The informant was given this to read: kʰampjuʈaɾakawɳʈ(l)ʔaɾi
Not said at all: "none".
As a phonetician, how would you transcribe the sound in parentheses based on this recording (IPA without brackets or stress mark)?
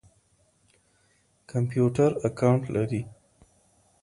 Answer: l